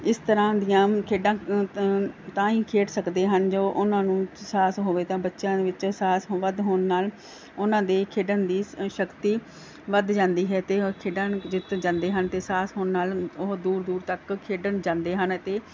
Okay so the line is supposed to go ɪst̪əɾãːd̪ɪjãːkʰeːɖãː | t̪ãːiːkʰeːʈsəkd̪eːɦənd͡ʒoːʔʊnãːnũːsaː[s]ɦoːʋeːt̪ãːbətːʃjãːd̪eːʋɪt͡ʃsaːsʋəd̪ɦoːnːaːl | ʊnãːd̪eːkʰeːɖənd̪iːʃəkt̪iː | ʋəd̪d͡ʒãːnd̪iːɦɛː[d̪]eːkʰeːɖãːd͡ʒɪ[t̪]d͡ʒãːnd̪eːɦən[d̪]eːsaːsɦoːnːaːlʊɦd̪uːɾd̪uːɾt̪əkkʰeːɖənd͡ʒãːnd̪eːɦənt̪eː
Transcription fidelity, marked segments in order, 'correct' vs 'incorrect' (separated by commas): correct, incorrect, correct, incorrect